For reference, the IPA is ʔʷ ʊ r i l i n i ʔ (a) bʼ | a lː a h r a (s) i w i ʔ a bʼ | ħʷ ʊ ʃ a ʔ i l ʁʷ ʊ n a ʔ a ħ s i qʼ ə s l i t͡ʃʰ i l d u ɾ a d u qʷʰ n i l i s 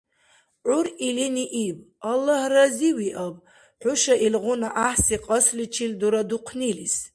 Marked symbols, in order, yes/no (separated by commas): no, no